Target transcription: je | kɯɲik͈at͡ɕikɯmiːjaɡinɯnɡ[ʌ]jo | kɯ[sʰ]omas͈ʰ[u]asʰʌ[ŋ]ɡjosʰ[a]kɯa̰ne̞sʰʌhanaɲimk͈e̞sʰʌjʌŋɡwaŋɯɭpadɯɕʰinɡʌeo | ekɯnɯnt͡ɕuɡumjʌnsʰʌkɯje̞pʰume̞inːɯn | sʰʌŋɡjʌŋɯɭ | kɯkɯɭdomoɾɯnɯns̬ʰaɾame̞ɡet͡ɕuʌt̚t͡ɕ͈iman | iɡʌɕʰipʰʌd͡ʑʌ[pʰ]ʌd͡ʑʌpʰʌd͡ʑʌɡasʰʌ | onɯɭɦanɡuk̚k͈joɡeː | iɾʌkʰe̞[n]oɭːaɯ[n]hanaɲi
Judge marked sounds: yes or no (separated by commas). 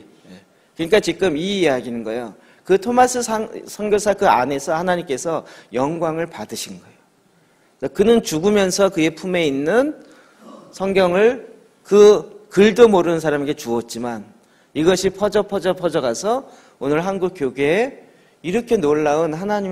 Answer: yes, no, no, yes, yes, yes, yes, yes